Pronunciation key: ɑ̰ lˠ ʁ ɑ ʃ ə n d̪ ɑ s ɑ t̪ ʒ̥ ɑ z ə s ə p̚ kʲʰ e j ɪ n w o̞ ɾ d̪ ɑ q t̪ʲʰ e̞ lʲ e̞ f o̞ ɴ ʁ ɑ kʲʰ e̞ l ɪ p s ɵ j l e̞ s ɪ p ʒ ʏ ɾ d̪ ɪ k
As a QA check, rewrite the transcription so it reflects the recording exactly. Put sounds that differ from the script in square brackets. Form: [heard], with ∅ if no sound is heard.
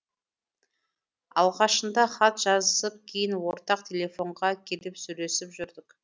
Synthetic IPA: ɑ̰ lˠ ʁ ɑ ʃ ə n d̪ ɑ [χ] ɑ t̪ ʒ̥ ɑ z ə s ə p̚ kʲʰ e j ɪ n w o̞ ɾ [t̪] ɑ q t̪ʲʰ e̞ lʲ e̞ f o̞ ɴ ʁ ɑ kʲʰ e̞ l ɪ p s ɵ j l e̞ s ɪ p ʒ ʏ ɾ d̪ ɪ k